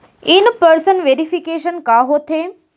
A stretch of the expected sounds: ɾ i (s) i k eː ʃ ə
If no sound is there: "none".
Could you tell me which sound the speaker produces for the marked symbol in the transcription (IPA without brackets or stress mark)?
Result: f